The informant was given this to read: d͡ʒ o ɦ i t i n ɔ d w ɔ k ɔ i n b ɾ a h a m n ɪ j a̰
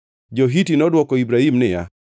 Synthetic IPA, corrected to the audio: d͡ʒ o ɦ i t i n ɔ d w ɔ k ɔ i b ɾ a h i m n ɪ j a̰